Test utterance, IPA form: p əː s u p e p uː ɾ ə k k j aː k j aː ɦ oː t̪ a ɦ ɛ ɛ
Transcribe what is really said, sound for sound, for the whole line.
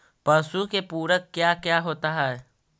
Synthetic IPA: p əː s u k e p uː ɾ ə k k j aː k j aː ɦ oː t̪ a ɦ ɛ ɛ